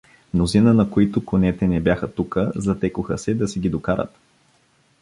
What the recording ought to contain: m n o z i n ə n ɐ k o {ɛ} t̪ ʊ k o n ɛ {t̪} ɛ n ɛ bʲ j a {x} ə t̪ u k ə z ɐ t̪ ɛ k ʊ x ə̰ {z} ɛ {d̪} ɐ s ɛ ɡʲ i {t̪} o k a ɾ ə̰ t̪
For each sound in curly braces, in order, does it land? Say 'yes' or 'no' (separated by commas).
no, yes, yes, no, yes, no